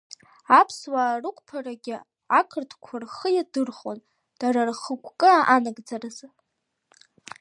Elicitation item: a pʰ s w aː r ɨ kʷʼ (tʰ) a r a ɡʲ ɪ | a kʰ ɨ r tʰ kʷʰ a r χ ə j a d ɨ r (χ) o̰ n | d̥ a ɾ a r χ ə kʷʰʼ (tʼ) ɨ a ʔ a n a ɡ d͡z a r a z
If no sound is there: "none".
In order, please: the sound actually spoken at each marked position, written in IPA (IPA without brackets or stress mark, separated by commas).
pʰ, χ, kʼ